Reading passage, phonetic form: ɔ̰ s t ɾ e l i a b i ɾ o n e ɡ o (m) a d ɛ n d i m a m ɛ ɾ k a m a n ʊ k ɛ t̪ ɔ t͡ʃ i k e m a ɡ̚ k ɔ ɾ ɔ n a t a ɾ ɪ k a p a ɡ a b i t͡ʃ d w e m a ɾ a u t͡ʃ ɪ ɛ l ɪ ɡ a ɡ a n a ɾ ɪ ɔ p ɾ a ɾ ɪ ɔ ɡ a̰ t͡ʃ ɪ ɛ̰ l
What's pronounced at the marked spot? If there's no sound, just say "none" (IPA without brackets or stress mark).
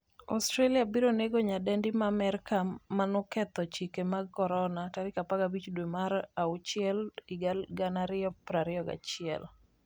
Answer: ɲ